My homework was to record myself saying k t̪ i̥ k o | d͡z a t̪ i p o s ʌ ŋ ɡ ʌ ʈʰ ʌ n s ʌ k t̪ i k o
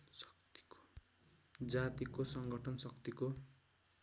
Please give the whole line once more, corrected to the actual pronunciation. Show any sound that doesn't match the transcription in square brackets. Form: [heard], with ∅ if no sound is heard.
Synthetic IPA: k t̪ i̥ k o | d͡z a t̪ i [k] o s ʌ ŋ ɡ ʌ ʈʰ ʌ n s ʌ k t̪ i k o

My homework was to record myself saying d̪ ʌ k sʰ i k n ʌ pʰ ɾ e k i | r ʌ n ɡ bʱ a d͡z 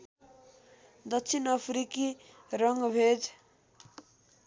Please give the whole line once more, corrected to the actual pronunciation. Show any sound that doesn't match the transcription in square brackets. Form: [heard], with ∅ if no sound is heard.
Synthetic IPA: d̪ ʌ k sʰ i [∅] n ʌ pʰ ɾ [i] k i | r ʌ [ŋ] ɡ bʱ [e] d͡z

